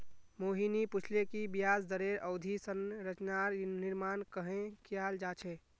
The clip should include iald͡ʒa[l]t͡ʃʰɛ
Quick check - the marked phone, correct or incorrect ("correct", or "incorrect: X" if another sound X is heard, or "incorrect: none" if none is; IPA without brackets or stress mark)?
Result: incorrect: none